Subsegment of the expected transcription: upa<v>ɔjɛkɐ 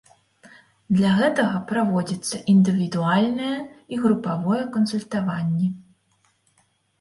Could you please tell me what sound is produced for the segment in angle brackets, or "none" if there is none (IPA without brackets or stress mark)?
v